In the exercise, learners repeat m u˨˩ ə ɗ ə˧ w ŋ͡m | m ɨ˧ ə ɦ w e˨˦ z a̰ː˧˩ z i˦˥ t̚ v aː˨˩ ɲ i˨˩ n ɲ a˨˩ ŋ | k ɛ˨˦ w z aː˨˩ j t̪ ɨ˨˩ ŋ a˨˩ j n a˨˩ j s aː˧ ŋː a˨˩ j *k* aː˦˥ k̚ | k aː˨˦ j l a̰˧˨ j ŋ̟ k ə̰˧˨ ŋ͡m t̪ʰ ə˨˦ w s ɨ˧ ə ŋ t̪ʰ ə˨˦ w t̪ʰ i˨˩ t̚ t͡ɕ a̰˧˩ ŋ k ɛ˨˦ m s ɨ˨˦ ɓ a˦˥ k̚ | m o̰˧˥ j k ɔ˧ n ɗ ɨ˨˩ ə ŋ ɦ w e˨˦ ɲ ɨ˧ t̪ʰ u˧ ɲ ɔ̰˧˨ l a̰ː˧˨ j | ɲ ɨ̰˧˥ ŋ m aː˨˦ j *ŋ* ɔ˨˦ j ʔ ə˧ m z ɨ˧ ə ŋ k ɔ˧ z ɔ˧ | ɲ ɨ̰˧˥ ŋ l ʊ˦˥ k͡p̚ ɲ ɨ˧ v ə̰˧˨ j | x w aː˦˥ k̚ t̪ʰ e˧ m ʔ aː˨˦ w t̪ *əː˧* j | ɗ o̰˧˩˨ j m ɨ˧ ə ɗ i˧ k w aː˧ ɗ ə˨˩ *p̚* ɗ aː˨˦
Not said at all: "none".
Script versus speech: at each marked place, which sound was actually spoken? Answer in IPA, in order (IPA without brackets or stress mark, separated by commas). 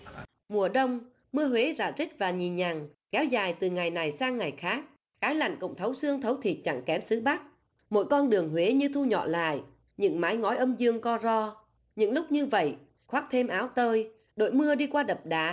x, ŋ, əː˧, p̚